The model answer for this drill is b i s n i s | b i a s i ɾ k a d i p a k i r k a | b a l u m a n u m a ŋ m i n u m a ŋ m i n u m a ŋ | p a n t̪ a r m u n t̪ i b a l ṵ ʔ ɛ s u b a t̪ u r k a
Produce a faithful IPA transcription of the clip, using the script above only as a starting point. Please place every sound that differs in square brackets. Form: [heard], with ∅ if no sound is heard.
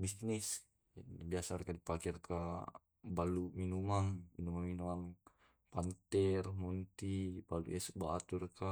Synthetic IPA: b i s n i s | b i a s [a] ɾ k a d i p a k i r k a | b a l u m [i] n u m a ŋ m i n u m a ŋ m i n u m a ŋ | p a n t̪ [ɛ] r m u n t̪ i b a l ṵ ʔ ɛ s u b a t̪ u r k a